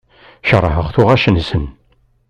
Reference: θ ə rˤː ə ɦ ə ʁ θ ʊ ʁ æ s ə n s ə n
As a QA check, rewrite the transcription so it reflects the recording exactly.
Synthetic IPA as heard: ʃ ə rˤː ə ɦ ə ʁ θ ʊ ʁ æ ʃ ə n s ə n